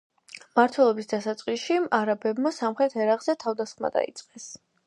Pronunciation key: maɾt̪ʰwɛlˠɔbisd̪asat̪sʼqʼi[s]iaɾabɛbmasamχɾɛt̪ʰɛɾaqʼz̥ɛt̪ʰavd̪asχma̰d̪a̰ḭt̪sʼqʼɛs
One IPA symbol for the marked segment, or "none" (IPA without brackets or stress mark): ʃ